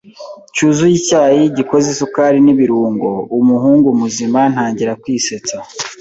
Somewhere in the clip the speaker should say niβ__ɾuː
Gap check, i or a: i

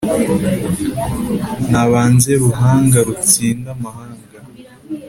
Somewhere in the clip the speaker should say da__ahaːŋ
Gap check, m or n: m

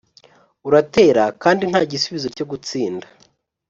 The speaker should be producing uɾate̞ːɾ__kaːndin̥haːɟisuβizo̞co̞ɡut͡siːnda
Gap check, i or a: a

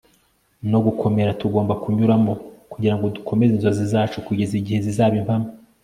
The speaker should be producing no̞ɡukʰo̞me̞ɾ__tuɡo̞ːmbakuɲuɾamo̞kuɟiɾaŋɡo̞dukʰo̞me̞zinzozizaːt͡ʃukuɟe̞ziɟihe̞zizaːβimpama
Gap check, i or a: a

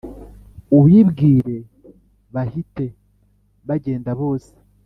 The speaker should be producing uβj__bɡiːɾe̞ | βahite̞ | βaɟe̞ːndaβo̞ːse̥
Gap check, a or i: i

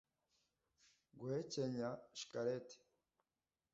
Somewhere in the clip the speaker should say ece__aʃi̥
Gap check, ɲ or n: ɲ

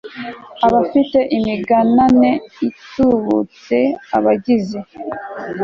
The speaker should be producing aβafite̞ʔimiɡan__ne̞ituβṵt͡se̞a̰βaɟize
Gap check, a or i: a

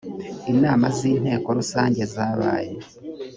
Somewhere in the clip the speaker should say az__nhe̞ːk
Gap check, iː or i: iː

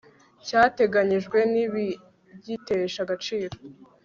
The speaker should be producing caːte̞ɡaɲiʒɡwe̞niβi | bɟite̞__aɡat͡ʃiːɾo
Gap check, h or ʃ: ʃ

